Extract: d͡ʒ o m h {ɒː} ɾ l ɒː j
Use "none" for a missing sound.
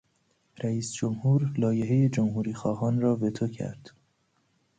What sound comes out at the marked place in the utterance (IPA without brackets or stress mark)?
uː